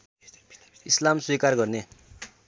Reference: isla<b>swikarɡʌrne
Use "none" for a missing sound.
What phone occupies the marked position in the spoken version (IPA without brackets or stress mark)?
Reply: m